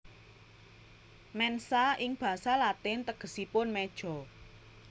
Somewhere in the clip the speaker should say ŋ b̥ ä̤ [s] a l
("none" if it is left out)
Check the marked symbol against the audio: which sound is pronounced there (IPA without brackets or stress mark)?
s